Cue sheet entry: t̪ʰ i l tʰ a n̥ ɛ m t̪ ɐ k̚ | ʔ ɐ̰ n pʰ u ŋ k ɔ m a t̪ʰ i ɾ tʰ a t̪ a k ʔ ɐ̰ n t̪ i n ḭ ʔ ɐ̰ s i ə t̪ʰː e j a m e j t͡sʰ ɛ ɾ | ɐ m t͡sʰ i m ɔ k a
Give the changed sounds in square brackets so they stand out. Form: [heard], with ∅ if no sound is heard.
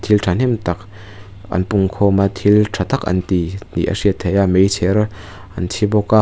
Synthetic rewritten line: t̪ʰ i l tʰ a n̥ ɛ m t̪ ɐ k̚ | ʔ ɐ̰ n [p] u ŋ [kʰ] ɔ m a t̪ʰ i [l] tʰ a t̪ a k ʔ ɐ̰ n t̪ i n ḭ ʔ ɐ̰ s i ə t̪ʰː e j a m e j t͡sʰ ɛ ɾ | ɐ [n] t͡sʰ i [b] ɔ k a